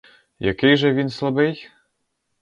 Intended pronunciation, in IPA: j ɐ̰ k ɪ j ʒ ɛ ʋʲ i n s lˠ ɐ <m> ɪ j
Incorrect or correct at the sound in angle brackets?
incorrect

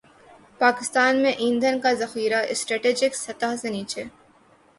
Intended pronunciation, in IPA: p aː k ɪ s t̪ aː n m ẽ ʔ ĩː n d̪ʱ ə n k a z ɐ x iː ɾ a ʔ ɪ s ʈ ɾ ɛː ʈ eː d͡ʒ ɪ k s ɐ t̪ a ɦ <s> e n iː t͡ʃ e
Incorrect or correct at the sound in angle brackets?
correct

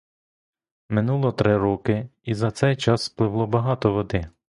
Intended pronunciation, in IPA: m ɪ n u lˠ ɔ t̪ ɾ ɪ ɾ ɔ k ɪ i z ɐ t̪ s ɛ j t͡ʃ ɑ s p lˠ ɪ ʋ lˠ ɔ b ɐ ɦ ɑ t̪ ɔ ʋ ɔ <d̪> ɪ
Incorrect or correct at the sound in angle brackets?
correct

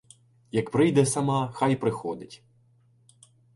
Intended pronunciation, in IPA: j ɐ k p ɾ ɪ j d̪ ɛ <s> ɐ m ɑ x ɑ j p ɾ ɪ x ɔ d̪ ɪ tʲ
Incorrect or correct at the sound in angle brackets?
correct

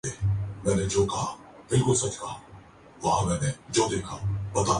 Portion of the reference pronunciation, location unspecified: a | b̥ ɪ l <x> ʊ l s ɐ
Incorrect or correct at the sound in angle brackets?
incorrect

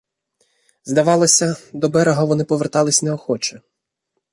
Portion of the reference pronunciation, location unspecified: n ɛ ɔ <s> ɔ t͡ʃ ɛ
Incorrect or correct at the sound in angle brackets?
incorrect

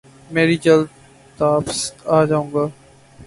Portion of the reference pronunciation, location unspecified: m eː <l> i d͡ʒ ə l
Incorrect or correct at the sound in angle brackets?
incorrect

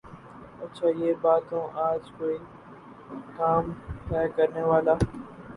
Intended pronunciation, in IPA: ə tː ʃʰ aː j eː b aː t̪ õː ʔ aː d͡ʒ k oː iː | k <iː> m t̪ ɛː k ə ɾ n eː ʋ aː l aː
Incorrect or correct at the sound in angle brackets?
incorrect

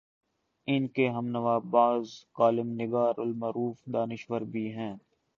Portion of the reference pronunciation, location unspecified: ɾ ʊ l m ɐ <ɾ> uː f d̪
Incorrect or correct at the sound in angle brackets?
correct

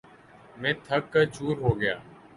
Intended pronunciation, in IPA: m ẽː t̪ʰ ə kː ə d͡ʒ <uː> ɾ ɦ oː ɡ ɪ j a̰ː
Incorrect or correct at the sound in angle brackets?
correct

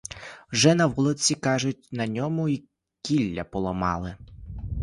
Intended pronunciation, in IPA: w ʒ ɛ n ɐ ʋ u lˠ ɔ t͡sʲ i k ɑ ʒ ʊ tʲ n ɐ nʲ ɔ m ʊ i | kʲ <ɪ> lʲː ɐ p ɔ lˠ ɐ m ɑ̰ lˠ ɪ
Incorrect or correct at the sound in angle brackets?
incorrect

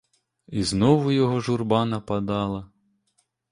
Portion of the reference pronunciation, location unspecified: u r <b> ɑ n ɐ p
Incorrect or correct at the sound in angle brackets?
correct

